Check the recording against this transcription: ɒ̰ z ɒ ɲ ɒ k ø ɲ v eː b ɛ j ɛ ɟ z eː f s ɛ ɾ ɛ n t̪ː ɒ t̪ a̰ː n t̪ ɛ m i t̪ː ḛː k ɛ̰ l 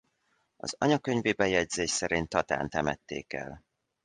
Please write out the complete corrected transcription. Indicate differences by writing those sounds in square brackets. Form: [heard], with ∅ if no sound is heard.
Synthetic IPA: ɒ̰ z ɒ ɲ ɒ k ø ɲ v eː b ɛ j ɛ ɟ z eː [ʃ] s ɛ ɾ [i] n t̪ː ɒ t̪ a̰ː n t̪ ɛ m [ɛ] t̪ː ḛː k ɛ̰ l

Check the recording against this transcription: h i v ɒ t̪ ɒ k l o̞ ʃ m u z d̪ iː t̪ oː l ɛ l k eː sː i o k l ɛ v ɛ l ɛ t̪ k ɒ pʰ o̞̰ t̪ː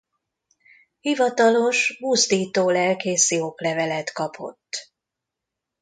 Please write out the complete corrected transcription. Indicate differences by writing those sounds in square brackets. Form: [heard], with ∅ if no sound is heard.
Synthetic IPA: h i v ɒ t̪ ɒ [∅] l o̞ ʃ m u z d̪ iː t̪ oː l ɛ l k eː [s] i o k l ɛ v ɛ l ɛ t̪ k ɒ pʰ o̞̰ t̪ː

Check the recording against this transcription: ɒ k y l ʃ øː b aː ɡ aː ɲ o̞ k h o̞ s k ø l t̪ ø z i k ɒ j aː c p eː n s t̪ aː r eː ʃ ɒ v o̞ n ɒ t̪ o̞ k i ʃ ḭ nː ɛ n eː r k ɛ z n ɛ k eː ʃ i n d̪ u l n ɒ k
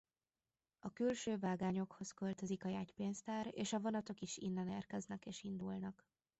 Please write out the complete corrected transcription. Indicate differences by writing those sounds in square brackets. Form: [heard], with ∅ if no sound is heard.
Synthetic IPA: ɒ k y l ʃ øː [v] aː ɡ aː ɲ o̞ k h o̞ s k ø l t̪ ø z i k ɒ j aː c p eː n s t̪ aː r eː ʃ ɒ v o̞ n ɒ t̪ o̞ k i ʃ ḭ nː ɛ n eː r k ɛ z n ɛ k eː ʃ i n d̪ u l n ɒ k

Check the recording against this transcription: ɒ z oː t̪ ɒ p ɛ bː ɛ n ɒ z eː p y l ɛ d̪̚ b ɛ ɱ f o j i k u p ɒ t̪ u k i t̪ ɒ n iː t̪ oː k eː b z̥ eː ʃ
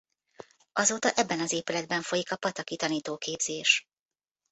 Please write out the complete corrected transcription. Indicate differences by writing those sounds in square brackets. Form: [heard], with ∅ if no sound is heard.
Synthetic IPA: ɒ z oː t̪ ɒ [ʔ] ɛ bː ɛ n ɒ z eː p y l ɛ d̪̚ b ɛ ɱ f o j i k [ɒ] p ɒ t̪ [ɒ] k i t̪ ɒ n iː t̪ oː k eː b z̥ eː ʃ

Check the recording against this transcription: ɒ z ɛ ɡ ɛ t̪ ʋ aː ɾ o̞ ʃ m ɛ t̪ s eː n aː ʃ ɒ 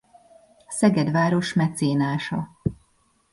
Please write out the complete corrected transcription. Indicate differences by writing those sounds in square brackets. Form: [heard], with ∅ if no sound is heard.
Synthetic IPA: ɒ [s] ɛ ɡ ɛ [d̪] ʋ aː ɾ o̞ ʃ m ɛ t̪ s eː n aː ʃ ɒ

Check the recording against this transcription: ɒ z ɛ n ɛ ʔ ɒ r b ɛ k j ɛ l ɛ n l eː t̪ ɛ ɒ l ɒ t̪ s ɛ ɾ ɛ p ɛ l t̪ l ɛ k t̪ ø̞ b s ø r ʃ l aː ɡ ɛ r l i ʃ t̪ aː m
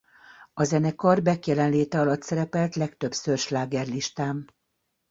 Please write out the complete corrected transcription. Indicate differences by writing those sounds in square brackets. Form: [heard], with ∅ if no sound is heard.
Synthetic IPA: ɒ z ɛ n ɛ [k] ɒ r b ɛ k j ɛ l ɛ n l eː t̪ ɛ ɒ l ɒ t̪ s ɛ ɾ ɛ p ɛ l t̪ l ɛ k t̪ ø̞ b s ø r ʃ l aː ɡ ɛ r l i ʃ t̪ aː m

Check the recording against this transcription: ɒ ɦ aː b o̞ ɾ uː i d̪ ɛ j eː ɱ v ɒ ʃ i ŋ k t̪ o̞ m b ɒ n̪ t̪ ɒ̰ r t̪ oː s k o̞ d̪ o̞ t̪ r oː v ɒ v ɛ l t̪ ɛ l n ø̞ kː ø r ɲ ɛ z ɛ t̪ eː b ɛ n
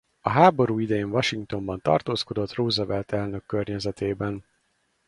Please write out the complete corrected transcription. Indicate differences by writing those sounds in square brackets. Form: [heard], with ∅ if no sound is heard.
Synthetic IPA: ɒ ɦ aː b o̞ ɾ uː i d̪ ɛ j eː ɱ v ɒ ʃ i ŋ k t̪ o̞ m b ɒ n̪ t̪ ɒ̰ r t̪ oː s k o̞ d̪ o̞ t̪ r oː [z] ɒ v ɛ l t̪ ɛ l n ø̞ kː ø r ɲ ɛ z ɛ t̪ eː b ɛ n

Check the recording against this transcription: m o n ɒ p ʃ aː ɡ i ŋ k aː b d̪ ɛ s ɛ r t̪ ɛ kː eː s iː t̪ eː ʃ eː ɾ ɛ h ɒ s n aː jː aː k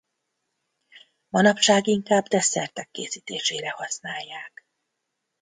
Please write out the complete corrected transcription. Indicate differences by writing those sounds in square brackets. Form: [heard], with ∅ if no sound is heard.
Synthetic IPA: m [ɒ] n ɒ p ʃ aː ɡ i ŋ k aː b d̪ ɛ s ɛ r t̪ ɛ kː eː s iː t̪ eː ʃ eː ɾ ɛ h ɒ s n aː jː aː k

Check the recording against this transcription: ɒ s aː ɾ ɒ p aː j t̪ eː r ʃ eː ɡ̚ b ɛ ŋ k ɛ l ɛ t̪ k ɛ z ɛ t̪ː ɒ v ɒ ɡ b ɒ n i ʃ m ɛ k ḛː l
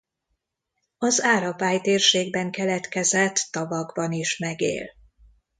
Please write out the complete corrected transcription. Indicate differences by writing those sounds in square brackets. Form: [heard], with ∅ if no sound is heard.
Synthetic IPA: ɒ [z] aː ɾ ɒ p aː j t̪ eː r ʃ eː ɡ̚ b ɛ ŋ k ɛ l ɛ t̪ k ɛ z ɛ t̪ː ɒ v ɒ ɡ b ɒ n i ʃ m ɛ [ɡ] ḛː l

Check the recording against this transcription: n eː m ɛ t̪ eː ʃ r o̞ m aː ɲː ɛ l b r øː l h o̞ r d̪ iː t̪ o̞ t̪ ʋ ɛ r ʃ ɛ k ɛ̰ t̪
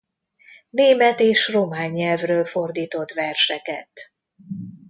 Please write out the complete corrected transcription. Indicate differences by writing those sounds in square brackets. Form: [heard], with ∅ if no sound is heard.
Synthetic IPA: n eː m ɛ t̪ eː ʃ r o̞ m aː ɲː ɛ l [v] r øː l [f] o̞ r d̪ iː t̪ o̞ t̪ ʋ ɛ r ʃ ɛ k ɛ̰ t̪

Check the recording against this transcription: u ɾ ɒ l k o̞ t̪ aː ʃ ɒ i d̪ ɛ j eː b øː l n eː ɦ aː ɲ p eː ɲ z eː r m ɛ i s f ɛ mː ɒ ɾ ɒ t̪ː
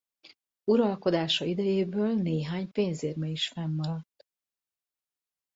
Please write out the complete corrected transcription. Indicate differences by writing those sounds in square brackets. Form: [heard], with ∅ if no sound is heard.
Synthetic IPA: u ɾ ɒ l k o̞ [d̪] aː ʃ ɒ i d̪ ɛ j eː b øː l n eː ɦ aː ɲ p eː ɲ z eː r m ɛ i [ʃ] f ɛ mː ɒ ɾ ɒ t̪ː

